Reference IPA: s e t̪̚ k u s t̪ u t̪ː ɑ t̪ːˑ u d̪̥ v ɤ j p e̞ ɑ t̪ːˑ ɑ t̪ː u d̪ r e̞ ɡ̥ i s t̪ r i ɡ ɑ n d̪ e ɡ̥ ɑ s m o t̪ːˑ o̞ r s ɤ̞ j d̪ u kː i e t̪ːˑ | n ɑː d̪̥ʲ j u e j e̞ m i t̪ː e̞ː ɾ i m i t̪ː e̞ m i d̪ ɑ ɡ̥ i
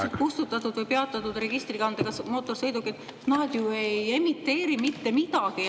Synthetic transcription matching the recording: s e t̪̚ k u s t̪ u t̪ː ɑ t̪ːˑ u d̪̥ v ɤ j p e̞ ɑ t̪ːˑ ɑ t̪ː u d̪ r e̞ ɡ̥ i s t̪ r i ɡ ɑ n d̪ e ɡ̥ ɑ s m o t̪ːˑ o̞ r s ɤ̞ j d̪ u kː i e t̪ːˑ | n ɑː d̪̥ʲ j u e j e̞ m i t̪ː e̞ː ɾ i m i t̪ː e̞ m i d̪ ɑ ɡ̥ i